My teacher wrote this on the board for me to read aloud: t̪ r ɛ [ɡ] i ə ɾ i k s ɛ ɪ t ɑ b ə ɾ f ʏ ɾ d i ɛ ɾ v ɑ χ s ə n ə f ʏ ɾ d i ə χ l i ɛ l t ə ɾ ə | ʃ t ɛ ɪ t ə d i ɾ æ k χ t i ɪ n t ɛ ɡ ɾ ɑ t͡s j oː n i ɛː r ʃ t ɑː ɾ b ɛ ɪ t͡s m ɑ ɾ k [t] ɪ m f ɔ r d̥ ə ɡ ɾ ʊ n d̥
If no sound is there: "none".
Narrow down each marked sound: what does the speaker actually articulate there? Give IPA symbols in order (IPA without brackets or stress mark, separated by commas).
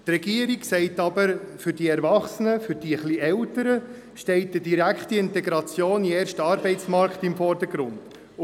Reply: ɡ, t